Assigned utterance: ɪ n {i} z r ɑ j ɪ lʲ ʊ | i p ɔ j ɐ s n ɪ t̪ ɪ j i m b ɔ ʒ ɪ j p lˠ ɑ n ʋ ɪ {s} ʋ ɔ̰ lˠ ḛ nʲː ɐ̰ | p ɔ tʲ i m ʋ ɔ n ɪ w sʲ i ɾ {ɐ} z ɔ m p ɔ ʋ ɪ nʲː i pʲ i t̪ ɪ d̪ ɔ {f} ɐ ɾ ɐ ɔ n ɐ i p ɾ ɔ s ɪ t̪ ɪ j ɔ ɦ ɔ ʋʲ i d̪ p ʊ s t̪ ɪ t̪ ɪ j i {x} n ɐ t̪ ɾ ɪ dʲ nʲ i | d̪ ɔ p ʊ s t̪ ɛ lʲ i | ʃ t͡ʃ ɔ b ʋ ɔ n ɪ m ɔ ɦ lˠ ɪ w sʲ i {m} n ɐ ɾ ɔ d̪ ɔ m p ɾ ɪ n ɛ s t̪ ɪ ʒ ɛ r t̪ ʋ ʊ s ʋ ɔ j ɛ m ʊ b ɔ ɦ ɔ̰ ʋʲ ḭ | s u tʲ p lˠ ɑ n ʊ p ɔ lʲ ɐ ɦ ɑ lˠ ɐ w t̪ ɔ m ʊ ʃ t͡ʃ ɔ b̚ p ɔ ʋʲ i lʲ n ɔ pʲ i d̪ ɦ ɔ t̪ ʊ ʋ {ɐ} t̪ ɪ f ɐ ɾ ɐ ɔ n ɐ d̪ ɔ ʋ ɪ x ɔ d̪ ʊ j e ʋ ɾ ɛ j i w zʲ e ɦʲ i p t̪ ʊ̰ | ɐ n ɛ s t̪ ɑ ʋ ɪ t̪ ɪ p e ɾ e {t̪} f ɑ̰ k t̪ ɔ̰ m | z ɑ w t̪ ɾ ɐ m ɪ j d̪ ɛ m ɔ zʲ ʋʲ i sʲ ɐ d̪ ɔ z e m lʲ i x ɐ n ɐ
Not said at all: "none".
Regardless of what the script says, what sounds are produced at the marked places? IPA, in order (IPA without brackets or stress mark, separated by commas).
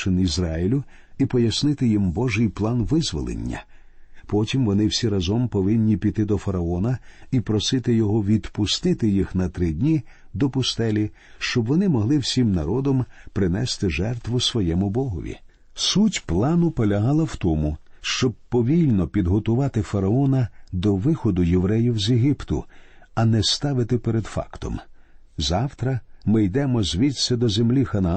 i, z, ɐ, f, x, m, ɑ, d̪